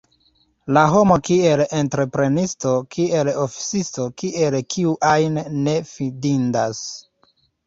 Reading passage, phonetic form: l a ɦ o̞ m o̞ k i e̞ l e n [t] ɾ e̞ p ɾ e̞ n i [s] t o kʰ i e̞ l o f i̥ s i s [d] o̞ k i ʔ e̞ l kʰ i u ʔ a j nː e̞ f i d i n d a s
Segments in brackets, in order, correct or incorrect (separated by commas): correct, correct, incorrect